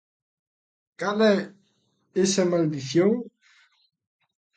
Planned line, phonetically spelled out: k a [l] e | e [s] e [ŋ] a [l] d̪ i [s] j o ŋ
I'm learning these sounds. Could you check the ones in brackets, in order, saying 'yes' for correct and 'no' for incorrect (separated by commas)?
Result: yes, yes, no, yes, no